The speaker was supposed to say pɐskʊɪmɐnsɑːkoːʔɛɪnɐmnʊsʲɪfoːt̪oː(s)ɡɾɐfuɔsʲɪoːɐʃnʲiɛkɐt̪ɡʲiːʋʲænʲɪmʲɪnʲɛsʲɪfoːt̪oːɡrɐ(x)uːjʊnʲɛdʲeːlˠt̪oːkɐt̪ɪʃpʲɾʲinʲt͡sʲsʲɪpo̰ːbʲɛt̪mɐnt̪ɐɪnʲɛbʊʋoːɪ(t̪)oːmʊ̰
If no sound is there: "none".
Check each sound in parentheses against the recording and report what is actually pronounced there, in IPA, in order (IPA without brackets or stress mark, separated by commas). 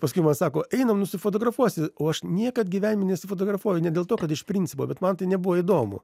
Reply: none, f, d̪